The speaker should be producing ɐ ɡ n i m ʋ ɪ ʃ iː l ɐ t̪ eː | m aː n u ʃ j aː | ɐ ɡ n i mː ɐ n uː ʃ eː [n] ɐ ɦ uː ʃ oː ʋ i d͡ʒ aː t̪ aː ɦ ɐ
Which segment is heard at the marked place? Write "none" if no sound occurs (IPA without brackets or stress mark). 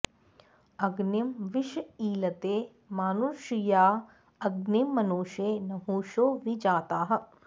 n